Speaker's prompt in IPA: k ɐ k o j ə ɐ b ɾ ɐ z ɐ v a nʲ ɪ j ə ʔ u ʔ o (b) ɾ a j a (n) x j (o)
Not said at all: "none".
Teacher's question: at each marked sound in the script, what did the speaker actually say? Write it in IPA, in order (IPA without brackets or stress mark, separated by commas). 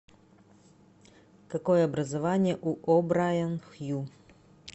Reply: b, n, u